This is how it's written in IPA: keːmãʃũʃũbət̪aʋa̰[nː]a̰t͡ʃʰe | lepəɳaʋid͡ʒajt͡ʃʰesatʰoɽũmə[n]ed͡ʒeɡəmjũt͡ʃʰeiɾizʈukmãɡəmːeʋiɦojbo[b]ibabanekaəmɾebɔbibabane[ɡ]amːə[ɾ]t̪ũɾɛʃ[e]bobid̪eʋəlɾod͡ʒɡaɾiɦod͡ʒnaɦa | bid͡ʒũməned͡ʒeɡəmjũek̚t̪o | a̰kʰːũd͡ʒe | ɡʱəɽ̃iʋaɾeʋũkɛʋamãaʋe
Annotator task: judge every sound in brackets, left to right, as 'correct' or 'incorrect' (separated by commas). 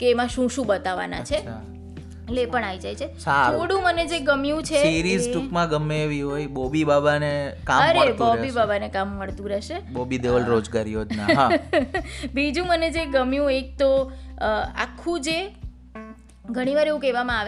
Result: incorrect, correct, correct, incorrect, incorrect, correct